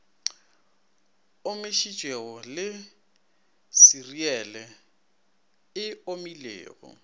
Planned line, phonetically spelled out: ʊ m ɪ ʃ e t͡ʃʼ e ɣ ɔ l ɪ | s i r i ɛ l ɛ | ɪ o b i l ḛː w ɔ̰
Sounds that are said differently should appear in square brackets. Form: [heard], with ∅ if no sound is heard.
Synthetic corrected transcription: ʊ m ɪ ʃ [i] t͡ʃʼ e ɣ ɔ l ɪ | s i r i ɛ l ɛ | ɪ o [m] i l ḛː [ɣ] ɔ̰